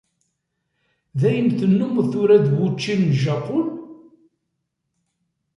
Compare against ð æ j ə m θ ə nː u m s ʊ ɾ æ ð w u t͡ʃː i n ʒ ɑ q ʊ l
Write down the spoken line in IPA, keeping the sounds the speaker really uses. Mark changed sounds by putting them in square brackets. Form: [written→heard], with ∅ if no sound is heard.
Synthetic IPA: ð æ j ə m θ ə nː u m [s→θ] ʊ ɾ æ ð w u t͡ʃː i n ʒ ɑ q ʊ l

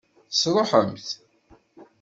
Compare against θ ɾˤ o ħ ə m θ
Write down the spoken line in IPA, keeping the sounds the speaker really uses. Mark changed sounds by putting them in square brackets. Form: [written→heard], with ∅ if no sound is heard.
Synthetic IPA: [θ→s] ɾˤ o ħ ə m θ

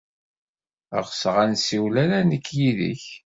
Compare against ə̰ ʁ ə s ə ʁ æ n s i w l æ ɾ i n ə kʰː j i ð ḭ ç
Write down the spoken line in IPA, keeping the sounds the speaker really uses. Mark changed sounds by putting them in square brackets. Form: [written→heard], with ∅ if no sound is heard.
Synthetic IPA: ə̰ ʁ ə s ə ʁ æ n s i w l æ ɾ [i→æ] n ə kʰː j i ð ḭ ç

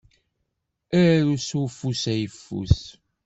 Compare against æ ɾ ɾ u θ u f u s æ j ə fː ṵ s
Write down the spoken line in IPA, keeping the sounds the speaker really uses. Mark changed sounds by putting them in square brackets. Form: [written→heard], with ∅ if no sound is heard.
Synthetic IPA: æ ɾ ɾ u [θ→s] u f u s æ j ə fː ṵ s

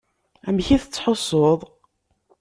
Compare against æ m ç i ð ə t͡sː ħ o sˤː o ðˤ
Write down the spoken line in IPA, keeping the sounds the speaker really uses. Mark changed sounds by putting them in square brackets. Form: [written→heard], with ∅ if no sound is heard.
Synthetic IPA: æ m ç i [ð→θ] ə t͡sː ħ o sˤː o ðˤ

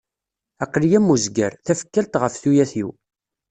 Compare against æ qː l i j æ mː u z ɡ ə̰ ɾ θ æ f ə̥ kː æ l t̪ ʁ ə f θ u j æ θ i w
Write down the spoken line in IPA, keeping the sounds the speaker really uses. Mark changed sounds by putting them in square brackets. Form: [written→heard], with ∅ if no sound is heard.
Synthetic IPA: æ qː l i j æ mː u z ɡ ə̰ ɾ θ æ f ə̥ kː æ l t̪ ʁ ə f θ u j æ θ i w

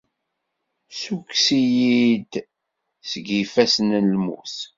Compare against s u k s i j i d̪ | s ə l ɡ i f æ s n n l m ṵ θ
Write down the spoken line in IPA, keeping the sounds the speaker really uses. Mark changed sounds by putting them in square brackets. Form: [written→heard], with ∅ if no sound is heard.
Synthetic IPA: s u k s i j i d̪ | s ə [l→∅] ɡ i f æ s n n l m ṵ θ

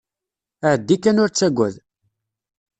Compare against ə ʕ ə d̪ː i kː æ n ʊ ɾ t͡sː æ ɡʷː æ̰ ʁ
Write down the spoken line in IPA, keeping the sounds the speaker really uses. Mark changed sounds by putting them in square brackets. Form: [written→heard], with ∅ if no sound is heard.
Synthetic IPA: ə ʕ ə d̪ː i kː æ n ʊ ɾ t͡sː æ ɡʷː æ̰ [ʁ→ð]

